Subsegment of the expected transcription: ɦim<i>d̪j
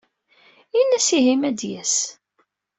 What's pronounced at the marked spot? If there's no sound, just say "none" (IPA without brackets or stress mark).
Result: æ